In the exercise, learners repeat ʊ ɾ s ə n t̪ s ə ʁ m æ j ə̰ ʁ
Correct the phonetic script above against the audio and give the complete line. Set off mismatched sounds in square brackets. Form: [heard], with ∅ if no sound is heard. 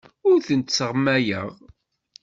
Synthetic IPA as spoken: ʊ ɾ [θ] ə n t̪ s ə ʁ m æ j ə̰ ʁ